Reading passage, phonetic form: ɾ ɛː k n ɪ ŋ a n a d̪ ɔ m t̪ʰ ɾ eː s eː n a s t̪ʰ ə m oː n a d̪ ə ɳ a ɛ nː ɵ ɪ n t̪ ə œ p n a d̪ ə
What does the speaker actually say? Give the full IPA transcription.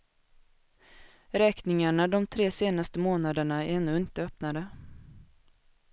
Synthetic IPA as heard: ɾ ɛː k n ɪ ŋ a ɳ a d̪ ɔ m t̪ʰ ɾ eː s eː n a s t̪ ə m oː n a d̪ ə ɳ a ɛ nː ɵ ɪ n t̪ ə œ p n a d̪ ə